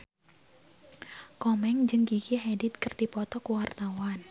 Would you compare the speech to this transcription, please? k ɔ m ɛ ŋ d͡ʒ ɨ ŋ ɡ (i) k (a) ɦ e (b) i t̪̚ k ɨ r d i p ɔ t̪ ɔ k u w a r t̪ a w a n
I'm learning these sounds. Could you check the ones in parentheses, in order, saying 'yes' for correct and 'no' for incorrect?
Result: yes, no, no

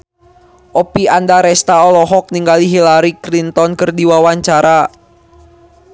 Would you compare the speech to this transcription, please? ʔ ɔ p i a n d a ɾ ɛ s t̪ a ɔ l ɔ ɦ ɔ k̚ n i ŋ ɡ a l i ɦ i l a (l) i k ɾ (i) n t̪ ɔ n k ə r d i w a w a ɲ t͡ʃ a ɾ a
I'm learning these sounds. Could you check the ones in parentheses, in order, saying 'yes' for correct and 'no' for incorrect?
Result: no, yes

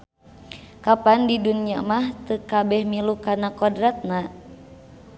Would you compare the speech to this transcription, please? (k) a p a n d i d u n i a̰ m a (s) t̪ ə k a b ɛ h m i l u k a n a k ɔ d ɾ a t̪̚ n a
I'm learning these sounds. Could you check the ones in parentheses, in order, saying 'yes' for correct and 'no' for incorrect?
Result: yes, no

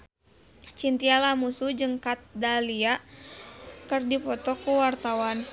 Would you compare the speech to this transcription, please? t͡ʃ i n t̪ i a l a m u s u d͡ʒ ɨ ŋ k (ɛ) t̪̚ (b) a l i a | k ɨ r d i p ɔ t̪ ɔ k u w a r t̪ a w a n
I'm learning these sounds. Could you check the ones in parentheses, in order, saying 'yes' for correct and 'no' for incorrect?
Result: no, no

